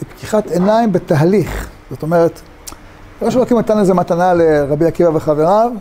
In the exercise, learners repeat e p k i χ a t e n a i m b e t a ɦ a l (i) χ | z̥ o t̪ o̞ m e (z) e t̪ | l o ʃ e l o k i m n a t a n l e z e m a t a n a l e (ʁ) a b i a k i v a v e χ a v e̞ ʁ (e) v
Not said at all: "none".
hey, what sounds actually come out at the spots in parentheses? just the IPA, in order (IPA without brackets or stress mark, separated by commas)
i, ʁ, ʁ, a